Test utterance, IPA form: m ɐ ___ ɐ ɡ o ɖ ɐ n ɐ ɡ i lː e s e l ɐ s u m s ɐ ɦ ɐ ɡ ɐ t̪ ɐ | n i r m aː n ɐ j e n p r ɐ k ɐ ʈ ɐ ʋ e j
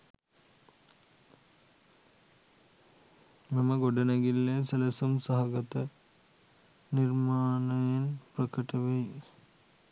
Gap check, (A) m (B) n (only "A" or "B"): A